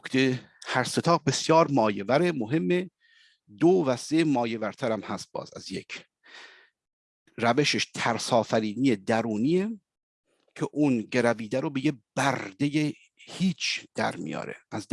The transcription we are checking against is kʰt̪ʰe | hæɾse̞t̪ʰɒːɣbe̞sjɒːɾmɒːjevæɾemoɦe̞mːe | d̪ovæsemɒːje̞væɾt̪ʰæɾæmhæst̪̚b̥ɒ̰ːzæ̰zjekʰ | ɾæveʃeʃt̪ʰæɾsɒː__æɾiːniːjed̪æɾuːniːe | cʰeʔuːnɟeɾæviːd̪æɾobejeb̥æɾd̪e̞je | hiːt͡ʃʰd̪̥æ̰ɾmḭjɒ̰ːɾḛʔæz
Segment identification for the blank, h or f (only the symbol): f